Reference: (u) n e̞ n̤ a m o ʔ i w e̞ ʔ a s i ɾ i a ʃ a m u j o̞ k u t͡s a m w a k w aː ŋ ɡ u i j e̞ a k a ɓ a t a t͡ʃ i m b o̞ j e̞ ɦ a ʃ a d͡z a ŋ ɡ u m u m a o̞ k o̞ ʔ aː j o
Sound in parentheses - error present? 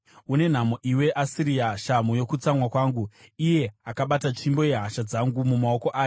no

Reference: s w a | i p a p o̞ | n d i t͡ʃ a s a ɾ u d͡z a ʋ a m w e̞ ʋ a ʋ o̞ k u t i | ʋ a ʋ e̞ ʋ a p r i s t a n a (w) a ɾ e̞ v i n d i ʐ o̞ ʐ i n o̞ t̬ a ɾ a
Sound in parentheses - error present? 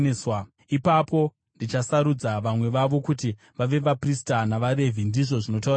yes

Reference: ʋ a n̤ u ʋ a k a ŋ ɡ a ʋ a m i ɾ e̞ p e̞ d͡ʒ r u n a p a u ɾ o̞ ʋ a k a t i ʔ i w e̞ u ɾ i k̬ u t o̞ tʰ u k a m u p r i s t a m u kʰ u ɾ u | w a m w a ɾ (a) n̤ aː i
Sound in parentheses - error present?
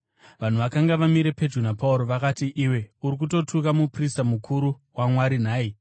yes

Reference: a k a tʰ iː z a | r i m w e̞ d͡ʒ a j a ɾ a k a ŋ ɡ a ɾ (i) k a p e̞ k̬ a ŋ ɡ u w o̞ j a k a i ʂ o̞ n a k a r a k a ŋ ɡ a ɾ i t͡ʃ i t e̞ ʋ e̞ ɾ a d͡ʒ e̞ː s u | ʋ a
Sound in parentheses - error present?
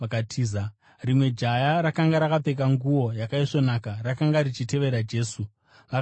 yes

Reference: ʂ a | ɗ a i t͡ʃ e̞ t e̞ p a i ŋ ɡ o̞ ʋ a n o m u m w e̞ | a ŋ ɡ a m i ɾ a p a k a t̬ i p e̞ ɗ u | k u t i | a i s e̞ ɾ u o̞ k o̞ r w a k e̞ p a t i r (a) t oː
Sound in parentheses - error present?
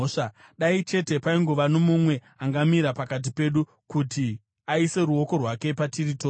yes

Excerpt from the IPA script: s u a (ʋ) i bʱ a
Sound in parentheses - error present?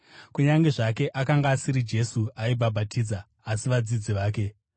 yes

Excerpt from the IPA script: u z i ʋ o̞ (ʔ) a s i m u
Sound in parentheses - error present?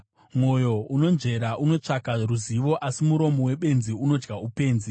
no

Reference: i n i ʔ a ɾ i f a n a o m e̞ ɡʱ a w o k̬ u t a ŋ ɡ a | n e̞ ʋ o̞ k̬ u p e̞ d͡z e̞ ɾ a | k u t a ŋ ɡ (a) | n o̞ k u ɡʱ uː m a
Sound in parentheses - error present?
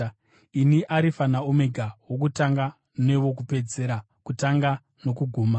no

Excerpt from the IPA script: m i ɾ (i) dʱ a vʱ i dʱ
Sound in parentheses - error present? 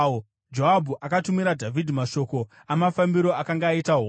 yes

